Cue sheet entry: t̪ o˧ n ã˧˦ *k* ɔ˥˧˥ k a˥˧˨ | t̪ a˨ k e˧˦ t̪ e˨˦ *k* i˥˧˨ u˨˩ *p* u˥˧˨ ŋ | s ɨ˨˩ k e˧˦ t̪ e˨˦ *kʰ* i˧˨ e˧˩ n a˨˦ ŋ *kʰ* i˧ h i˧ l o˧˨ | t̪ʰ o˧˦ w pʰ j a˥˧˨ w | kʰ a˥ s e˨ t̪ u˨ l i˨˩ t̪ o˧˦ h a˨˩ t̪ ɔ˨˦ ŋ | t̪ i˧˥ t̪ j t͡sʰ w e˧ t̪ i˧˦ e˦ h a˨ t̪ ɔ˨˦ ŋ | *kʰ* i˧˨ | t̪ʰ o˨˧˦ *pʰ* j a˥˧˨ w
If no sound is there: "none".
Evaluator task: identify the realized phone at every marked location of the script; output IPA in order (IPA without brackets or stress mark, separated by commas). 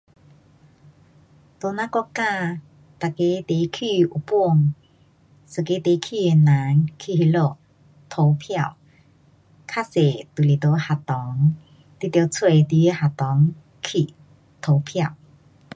k, kʰ, p, kʰ, kʰ, kʰ, pʰ